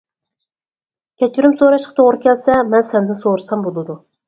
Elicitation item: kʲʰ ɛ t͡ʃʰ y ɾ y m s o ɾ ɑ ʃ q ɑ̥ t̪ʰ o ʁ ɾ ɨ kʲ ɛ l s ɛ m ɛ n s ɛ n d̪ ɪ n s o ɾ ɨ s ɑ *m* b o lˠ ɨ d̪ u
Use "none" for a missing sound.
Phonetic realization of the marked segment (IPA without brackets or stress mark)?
m